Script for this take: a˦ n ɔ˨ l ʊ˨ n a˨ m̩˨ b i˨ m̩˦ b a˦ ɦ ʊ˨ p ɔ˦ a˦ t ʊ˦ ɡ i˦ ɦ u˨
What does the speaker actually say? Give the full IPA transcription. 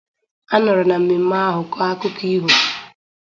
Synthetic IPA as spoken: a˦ n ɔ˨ ɾ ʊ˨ n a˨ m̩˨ m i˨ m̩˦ m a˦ ɦ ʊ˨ k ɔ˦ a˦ k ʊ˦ k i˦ ɦ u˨